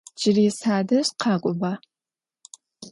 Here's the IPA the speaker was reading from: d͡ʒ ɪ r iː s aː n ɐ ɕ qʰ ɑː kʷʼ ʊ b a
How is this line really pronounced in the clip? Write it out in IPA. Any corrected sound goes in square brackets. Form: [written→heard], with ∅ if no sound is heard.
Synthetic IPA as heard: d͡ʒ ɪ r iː s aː [n→d] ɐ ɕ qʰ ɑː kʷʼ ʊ b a